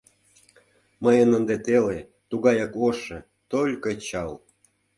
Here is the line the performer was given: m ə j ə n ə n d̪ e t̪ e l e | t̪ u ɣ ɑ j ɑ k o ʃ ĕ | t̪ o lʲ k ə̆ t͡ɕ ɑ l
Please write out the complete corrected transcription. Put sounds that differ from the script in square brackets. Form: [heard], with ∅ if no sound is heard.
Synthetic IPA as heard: m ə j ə n ə n d̪ e t̪ e l e | t̪ u ɣ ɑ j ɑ k o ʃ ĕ | t̪ o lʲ k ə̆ t͡ɕ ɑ l